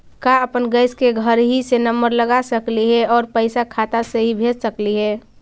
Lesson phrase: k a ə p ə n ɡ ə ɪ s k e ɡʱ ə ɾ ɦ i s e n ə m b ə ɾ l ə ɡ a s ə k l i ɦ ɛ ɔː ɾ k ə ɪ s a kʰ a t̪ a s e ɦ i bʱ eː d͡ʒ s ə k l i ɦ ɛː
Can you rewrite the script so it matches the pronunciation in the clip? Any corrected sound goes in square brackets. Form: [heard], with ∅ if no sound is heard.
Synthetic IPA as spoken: k a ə p ə n ɡ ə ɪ s k e ɡʱ ə ɾ ɦ i s e n ə m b ə ɾ l ə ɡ a s ə k l i ɦ ɛ ɔː ɾ [p] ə ɪ s a kʰ a t̪ a s e ɦ i bʱ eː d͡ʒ s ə k l i ɦ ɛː